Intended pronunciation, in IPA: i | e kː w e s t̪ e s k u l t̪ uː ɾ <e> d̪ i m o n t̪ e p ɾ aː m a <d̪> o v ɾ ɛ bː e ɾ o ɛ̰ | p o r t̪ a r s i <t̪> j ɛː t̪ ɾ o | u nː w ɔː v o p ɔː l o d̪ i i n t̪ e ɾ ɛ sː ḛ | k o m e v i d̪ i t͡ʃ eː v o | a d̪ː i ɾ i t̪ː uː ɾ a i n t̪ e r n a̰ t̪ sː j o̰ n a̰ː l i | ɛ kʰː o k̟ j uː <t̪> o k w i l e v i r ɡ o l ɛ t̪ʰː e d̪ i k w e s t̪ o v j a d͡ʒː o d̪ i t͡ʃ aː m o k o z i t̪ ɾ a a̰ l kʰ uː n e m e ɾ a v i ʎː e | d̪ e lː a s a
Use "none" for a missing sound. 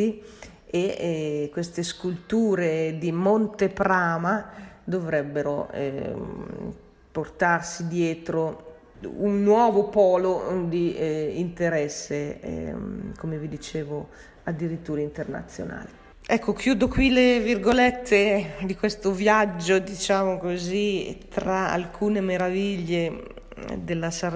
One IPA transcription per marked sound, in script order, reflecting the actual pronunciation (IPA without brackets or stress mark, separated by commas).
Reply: e, d̪, d̪, d̪